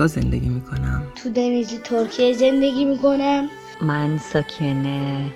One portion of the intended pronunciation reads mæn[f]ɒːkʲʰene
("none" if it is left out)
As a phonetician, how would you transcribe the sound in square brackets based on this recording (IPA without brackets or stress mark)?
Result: s